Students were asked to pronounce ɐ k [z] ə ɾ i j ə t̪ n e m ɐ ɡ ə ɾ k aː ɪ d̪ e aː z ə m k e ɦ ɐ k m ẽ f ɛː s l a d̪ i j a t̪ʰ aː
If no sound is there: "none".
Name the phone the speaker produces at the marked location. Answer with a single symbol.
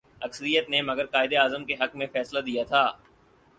s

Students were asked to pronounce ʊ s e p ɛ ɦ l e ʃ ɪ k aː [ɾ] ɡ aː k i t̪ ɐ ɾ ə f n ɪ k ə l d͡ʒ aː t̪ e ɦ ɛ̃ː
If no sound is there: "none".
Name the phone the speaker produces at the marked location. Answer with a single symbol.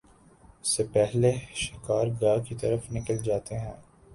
ɾ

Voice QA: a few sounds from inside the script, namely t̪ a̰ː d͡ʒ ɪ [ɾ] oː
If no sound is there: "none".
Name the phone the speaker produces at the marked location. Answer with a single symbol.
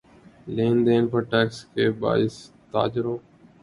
ɾ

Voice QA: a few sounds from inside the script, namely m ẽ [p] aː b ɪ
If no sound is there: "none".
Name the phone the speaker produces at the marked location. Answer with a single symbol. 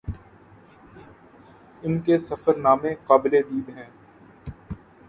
q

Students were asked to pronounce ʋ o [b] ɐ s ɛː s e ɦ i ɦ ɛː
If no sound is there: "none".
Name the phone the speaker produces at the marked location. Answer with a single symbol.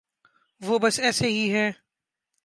b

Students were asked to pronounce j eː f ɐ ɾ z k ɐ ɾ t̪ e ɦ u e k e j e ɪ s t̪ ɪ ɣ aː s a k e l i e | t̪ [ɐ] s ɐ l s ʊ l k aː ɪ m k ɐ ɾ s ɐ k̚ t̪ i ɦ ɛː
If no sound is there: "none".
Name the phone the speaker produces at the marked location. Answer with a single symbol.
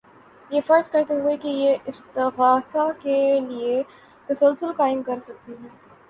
ɐ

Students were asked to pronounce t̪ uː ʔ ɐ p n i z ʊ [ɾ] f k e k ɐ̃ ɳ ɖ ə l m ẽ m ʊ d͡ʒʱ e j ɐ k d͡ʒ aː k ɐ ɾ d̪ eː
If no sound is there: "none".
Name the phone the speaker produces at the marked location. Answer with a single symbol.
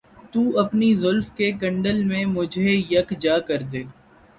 l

